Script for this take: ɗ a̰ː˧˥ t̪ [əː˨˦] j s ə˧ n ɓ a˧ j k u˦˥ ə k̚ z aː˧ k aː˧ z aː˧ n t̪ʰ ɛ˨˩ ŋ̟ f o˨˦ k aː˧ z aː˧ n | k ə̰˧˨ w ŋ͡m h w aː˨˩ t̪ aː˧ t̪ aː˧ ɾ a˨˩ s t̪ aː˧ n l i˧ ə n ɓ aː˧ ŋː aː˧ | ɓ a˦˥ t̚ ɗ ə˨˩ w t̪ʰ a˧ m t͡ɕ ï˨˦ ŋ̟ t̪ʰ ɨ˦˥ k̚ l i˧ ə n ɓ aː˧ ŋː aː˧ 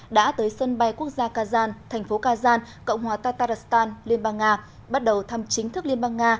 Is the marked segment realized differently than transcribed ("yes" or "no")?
no